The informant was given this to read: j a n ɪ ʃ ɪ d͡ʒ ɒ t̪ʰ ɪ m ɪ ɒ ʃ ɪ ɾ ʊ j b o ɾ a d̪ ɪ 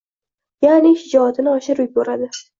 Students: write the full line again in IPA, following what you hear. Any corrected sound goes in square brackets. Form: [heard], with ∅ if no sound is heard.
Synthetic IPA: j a n ɪ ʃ ɪ d͡ʒ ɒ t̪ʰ ɪ [n] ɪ ɒ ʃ ɪ ɾ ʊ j b o ɾ a d̪ ɪ

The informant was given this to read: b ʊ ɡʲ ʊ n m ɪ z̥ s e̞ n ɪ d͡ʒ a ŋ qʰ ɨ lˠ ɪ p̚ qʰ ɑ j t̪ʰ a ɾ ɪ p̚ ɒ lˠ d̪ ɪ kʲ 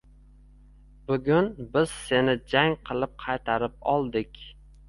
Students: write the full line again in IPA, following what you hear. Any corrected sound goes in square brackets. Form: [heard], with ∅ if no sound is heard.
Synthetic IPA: b ʊ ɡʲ ʊ n [b] ɪ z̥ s e̞ n ɪ d͡ʒ a ŋ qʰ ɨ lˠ ɪ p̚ qʰ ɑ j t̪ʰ a ɾ ɪ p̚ ɒ lˠ d̪ ɪ kʲ

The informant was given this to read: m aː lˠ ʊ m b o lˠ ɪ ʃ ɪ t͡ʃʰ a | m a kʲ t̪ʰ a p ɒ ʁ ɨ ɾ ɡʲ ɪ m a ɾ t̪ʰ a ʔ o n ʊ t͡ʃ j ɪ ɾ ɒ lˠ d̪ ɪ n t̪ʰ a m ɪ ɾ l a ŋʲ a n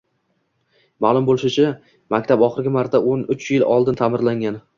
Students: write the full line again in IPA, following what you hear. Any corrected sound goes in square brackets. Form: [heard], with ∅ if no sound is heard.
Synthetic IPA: m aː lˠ ʊ m b o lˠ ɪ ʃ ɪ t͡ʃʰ a | m a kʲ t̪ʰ a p ɒ [χ] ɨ ɾ ɡʲ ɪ m a ɾ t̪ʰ a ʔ o n ʊ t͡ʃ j ɪ [l] ɒ lˠ d̪ ɪ n t̪ʰ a m ɪ ɾ l a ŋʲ a n

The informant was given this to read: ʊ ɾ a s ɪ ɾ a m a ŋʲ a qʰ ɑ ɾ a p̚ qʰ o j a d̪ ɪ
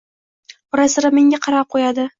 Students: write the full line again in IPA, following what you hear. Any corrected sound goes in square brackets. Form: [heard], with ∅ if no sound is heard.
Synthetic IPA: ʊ ɾ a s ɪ ɾ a m [e] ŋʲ a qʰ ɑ ɾ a p̚ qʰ o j a d̪ ɪ

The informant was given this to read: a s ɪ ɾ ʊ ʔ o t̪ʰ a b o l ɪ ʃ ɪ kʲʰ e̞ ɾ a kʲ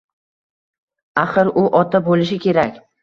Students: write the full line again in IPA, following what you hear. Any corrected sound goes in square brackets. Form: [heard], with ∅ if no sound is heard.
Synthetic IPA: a [χ] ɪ ɾ ʊ ʔ [ɒ] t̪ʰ a b o l ɪ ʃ ɪ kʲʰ e̞ ɾ a kʲ

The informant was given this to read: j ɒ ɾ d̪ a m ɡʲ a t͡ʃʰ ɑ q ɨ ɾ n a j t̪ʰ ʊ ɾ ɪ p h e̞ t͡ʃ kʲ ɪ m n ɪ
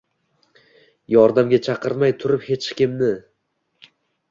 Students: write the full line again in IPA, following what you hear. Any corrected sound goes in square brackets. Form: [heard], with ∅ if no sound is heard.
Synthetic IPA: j ɒ ɾ d̪ a m ɡʲ a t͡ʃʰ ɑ q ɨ ɾ [m] a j t̪ʰ ʊ ɾ ɪ p h e̞ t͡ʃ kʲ ɪ m n ɪ

